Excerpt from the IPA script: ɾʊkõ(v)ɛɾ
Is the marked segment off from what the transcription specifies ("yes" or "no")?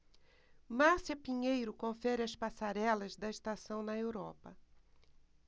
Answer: yes